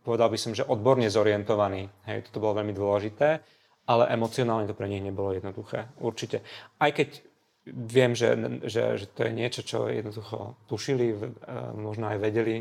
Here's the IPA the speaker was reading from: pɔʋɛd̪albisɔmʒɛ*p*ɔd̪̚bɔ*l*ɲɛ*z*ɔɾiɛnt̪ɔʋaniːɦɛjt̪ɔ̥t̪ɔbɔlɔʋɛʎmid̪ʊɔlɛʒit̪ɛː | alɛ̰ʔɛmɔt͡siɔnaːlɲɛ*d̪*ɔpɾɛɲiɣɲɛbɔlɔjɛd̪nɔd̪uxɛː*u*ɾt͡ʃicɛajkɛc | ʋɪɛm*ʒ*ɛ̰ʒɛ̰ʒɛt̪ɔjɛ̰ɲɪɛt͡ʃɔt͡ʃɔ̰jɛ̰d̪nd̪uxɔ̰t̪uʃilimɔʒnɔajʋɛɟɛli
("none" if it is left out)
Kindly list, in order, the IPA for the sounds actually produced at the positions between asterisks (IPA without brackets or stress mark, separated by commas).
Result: ʔ, ɾ, z, t̪, u, ʒ